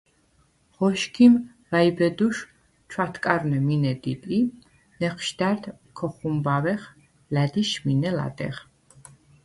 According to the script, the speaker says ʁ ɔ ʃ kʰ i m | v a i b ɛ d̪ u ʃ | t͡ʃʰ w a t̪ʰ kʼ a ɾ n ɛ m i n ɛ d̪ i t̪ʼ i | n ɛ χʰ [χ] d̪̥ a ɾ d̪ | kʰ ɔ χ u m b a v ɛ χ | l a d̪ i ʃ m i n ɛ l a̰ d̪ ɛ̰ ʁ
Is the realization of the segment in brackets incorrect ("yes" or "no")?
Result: yes